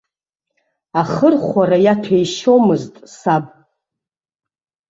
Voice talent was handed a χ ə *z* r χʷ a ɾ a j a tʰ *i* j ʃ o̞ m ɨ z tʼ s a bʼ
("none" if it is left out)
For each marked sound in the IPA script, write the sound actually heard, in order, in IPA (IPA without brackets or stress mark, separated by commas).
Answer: none, e